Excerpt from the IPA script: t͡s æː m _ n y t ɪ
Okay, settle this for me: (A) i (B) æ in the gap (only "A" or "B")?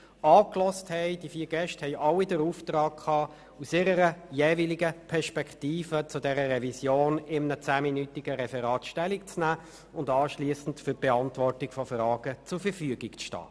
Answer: A